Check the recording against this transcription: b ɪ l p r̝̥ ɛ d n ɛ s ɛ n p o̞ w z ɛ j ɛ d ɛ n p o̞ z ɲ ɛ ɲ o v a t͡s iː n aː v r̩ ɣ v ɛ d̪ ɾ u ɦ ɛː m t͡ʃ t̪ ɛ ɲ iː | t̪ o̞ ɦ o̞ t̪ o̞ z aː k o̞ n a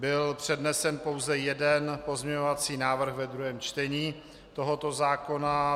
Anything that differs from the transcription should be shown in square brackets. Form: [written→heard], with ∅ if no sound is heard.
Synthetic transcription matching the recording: b ɪ l p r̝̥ ɛ d n ɛ s ɛ n p o̞ w z ɛ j ɛ d ɛ n p o̞ z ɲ ɛ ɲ o v a t͡s iː n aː v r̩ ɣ v ɛ d̪ ɾ u ɦ ɛː m t͡ʃ t̪ ɛ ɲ iː | t̪ o̞ ɦ o̞ t̪ o̞ z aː k o̞ n a